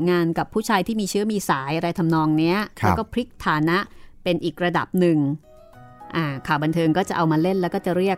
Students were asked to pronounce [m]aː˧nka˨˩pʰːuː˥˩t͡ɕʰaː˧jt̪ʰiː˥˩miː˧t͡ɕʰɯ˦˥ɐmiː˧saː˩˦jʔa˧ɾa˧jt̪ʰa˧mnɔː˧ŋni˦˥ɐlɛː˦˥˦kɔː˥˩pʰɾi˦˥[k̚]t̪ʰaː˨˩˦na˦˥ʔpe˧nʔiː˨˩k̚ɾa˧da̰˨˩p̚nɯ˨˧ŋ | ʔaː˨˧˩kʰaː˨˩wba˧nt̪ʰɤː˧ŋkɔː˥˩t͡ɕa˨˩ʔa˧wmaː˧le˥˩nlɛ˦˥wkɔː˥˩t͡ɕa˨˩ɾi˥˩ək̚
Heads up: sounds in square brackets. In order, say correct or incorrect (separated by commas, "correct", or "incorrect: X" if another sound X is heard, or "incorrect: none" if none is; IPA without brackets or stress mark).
incorrect: ŋ, correct